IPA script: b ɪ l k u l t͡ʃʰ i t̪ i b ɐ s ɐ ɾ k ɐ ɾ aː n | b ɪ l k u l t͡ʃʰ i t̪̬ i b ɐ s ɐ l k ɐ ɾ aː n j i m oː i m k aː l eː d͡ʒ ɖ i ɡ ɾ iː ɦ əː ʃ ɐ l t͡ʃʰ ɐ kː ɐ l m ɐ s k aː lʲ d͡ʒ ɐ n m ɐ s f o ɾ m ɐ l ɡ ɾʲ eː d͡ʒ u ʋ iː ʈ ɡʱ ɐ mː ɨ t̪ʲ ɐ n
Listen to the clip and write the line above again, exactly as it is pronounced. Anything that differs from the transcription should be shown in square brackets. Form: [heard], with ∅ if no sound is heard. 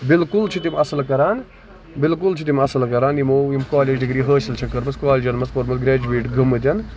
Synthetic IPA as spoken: b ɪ l k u l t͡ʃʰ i t̪ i [m] ɐ s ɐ [l] k ɐ ɾ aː n | b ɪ l k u l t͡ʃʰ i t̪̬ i [m] ɐ s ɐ l k ɐ ɾ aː n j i m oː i m k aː l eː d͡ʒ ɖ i ɡ ɾ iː ɦ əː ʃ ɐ l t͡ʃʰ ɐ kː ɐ [ɾ] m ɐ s k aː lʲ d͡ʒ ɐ n m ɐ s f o ɾ m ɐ l ɡ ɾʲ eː d͡ʒ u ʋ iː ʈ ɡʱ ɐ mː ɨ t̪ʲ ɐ n

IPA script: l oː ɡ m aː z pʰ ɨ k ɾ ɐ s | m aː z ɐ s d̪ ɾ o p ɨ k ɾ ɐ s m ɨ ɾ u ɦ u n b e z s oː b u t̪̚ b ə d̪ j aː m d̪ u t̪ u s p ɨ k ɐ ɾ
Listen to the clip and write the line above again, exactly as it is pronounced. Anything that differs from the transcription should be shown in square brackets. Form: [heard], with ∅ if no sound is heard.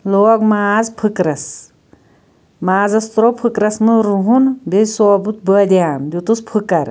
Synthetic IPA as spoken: l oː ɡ m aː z pʰ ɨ k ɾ ɐ s | m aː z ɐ s [t̪] ɾ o [pʰ] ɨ k ɾ ɐ s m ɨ ɾ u ɦ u n b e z s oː b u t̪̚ b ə d̪ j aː m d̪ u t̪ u s [pʰ] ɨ k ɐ ɾ

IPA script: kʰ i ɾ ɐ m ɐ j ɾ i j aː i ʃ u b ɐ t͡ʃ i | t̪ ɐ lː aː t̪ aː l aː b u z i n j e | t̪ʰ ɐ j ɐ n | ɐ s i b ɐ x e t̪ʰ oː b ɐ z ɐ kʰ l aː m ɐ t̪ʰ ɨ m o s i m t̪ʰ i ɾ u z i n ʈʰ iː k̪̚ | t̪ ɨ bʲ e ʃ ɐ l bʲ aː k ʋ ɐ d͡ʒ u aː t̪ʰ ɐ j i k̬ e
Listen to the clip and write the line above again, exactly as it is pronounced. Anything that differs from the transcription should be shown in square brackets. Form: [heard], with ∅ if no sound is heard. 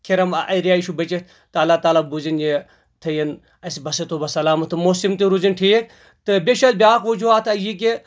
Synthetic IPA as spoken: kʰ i ɾ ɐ m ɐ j ɾ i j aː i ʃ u b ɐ t͡ʃ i | t̪ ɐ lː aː t̪ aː l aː b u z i n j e | t̪ʰ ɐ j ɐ n | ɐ s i b ɐ [s] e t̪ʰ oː b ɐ [s] ɐ [∅] l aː m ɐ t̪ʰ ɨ m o s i m [t̪] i ɾ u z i n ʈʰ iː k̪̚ | t̪ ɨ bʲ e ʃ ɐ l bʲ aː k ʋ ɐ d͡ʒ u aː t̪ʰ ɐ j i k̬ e

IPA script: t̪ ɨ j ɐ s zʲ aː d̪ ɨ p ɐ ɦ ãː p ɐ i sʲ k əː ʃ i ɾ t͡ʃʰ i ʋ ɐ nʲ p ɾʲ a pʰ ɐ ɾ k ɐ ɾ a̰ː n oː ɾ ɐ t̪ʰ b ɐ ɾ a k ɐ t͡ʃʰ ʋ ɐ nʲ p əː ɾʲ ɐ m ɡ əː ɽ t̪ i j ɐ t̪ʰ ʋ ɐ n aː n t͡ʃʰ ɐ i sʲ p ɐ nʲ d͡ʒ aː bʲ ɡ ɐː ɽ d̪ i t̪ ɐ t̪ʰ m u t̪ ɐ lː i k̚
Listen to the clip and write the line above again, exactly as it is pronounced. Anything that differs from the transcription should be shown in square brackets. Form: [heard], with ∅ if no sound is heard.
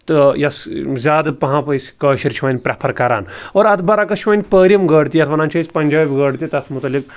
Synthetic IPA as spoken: t̪ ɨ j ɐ s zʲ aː d̪ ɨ p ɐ ɦ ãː p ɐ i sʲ k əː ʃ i ɾ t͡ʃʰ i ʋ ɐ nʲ p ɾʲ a pʰ ɐ ɾ k ɐ ɾ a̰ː n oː ɾ ɐ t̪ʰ b ɐ ɾ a k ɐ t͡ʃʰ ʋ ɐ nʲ p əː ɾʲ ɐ m ɡ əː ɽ t̪ i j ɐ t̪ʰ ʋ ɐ n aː n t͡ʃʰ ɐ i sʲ p ɐ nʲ d͡ʒ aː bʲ ɡ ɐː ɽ [t̪] i t̪ ɐ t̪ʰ m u t̪ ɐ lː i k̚

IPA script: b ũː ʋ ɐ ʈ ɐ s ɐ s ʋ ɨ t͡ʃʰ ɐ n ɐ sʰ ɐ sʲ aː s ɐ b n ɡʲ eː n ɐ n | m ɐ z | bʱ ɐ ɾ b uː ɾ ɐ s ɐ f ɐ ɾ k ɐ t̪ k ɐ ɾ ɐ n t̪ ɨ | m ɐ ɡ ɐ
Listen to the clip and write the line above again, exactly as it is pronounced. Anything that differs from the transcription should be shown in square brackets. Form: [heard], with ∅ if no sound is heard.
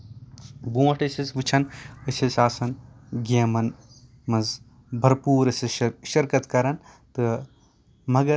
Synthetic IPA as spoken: b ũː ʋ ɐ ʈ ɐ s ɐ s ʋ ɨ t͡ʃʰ ɐ n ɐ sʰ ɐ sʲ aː s ɐ [∅] n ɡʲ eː [m] ɐ n | m ɐ z | bʱ ɐ ɾ [p] uː ɾ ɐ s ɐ [ʃ] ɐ ɾ k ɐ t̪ k ɐ ɾ ɐ n t̪ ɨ | m ɐ ɡ ɐ

